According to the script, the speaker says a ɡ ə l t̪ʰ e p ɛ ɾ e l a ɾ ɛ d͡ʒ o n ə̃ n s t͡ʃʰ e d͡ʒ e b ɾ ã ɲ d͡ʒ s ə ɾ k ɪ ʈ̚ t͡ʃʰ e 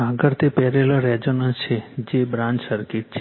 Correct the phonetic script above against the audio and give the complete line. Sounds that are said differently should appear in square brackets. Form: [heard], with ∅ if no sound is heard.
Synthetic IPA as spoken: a ɡ ə [ɾ] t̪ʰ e p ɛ ɾ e l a ɾ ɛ d͡ʒ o n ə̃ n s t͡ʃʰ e d͡ʒ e b ɾ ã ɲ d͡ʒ s ə ɾ k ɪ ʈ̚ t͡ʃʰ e